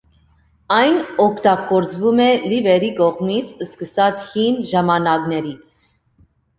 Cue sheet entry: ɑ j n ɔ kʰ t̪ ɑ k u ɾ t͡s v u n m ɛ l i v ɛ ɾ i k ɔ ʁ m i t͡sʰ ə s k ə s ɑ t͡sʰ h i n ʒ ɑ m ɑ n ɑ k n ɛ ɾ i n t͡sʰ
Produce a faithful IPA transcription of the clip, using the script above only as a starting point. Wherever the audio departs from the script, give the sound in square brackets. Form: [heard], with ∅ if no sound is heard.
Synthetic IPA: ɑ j n ɔ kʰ t̪ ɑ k [ɔ] ɾ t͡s v u [∅] m ɛ l i v ɛ ɾ i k ɔ ʁ m i t͡sʰ ə s k ə s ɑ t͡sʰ h i n ʒ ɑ m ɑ n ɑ k n ɛ ɾ i [∅] t͡sʰ